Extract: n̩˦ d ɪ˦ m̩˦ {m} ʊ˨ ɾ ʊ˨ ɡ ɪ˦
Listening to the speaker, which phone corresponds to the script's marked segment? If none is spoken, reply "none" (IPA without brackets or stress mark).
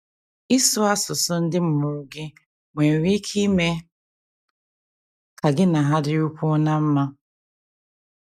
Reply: m